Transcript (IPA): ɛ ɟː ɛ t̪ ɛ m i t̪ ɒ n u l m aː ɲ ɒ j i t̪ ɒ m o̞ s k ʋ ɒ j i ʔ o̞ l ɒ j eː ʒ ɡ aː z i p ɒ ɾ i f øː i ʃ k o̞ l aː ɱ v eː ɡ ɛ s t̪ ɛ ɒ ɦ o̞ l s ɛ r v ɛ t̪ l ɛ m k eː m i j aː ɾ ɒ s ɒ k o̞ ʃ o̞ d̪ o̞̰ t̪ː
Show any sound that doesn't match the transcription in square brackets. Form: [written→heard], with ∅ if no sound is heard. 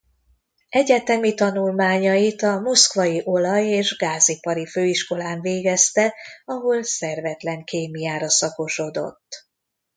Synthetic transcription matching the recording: ɛ [ɟː→ɟ] ɛ t̪ ɛ m i t̪ ɒ n u l m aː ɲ ɒ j i t̪ ɒ m o̞ s k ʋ ɒ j i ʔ o̞ l ɒ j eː ʒ ɡ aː z i p ɒ ɾ i f øː i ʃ k o̞ l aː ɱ v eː ɡ ɛ s t̪ ɛ ɒ ɦ o̞ l s ɛ r v ɛ t̪ l ɛ [m→ŋ] k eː m i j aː ɾ ɒ s ɒ k o̞ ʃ o̞ d̪ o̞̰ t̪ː